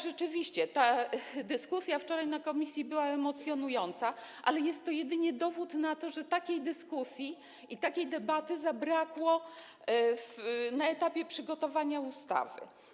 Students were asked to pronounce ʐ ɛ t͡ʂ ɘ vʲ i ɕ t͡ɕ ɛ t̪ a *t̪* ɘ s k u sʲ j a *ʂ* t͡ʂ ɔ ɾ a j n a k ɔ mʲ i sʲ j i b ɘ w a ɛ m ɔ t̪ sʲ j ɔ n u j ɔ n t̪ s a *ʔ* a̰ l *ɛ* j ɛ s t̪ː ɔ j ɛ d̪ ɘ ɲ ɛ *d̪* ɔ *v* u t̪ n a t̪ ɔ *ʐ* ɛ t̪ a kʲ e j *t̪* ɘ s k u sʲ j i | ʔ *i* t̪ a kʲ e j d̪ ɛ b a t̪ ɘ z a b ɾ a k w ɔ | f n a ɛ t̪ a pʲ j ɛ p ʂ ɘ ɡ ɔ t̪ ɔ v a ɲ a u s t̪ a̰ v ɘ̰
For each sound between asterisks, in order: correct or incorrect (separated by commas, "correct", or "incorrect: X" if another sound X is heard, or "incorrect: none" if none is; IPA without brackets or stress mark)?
incorrect: d̪, incorrect: f, correct, correct, correct, correct, correct, incorrect: d̪, correct